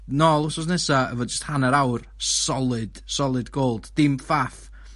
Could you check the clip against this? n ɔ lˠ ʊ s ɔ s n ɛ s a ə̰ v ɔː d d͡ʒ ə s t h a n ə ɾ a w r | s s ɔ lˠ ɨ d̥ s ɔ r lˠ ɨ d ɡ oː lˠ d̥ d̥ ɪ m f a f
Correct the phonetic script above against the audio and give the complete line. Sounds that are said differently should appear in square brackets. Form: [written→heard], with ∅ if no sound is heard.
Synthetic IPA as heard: n ɔ lˠ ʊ s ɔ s n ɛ s a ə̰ v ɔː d d͡ʒ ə s t h a n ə ɾ a w r | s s ɔ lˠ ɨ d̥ s ɔ [r→∅] lˠ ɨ d ɡ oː lˠ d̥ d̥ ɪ m f a f